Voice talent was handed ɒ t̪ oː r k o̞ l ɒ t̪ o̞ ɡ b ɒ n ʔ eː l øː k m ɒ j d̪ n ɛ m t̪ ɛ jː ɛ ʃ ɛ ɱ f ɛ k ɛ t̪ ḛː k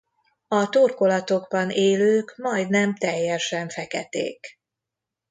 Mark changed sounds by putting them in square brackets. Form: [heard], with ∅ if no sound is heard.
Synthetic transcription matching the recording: ɒ t̪ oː r k o̞ l ɒ t̪ o̞ ɡ b ɒ n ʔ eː l øː k m ɒ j d̪ n ɛ m t̪ ɛ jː ɛ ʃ ɛ ɱ f ɛ k ɛ t̪ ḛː k